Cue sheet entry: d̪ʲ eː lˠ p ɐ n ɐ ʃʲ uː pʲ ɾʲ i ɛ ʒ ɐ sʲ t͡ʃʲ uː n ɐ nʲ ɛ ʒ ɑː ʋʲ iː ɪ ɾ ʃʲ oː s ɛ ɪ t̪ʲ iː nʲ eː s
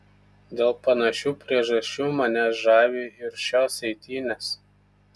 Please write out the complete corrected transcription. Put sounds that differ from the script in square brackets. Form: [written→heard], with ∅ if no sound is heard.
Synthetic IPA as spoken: d̪ʲ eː lˠ p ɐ n ɐ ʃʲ uː pʲ ɾʲ i ɛ ʒ ɐ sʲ t͡ʃʲ uː [n→m] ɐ nʲ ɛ ʒ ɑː ʋʲ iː ɪ ɾ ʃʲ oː s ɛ ɪ t̪ʲ iː nʲ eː s